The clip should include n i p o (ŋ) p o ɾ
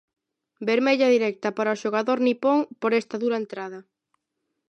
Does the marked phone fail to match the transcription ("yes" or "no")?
no